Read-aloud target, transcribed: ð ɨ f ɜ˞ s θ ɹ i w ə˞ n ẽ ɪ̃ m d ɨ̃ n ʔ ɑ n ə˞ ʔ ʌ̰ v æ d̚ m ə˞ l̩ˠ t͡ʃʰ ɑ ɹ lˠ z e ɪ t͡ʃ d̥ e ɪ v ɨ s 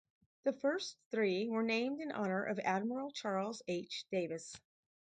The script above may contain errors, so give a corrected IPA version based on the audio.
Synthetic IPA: ð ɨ f ɜ˞ s θ ɹ i w ə˞ n ẽ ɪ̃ m d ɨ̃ n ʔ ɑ n ə˞ ʔ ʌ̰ v æ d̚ m ə˞ l̩ˠ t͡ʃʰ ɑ ɹ lˠ z e ɪ t͡ʃ d̥ e ɪ v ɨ s